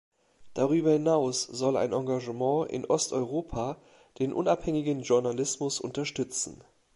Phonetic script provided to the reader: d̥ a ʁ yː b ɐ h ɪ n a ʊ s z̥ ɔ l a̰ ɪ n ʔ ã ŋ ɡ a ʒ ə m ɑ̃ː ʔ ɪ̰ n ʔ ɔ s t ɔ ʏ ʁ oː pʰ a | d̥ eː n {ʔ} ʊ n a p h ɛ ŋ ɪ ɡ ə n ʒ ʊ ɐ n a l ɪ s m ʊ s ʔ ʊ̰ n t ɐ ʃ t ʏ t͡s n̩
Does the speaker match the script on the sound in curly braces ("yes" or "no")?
yes